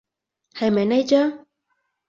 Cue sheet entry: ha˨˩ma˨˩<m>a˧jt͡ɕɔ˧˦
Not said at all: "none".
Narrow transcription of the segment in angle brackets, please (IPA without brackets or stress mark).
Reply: n